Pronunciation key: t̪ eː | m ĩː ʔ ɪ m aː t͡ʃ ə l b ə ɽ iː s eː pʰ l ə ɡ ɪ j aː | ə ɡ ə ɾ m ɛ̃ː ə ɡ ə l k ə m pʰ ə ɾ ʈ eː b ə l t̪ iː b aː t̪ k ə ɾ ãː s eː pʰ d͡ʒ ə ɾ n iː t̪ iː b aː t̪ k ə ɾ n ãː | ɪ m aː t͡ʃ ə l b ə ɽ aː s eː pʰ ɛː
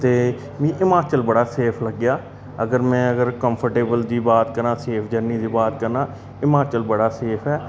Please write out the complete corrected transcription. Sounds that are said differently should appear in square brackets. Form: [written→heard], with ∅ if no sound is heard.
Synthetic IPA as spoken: t̪ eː | m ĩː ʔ ɪ m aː t͡ʃ ə l b ə ɽ [iː→aː] s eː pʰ l ə ɡ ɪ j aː | ə ɡ ə ɾ m ɛ̃ː ə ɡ ə [l→ɾ] k ə m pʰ ə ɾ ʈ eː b ə l [t̪→d̪] iː b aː t̪ k ə ɾ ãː s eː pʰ d͡ʒ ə ɾ n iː [t̪→d̪] iː b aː t̪ k ə ɾ n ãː | ɪ m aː t͡ʃ ə l b ə ɽ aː s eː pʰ ɛː